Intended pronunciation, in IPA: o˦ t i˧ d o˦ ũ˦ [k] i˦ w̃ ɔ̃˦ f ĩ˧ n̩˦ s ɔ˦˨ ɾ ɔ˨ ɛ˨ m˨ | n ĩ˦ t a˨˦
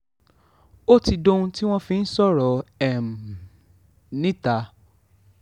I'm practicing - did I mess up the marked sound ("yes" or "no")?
yes